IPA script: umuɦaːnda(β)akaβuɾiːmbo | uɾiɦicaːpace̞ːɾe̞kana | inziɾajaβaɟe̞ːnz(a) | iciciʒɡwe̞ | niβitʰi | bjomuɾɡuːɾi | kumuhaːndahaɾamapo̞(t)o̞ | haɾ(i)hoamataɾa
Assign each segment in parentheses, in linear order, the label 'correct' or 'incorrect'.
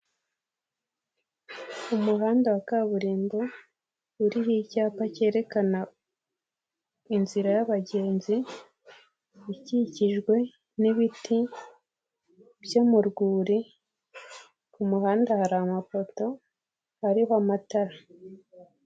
incorrect: w, incorrect: i, correct, correct

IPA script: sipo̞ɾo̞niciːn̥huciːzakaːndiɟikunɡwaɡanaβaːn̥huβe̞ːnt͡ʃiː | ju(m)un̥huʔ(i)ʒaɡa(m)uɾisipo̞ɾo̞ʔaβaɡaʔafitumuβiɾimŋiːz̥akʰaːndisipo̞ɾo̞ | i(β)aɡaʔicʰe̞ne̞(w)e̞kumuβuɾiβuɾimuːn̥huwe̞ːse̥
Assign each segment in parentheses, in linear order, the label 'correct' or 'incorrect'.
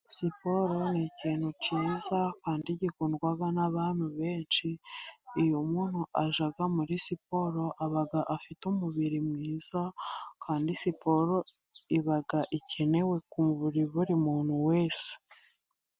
correct, incorrect: a, correct, correct, correct

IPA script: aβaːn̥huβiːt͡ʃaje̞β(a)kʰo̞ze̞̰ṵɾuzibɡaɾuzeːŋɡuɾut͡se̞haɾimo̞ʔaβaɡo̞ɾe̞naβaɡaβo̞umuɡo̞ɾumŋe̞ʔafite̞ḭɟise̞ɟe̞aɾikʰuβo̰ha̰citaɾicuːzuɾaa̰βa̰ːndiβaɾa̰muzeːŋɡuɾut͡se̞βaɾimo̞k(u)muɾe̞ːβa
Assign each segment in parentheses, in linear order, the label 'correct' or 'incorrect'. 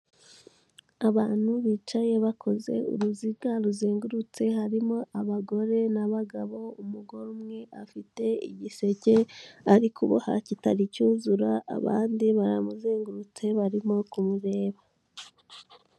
correct, correct

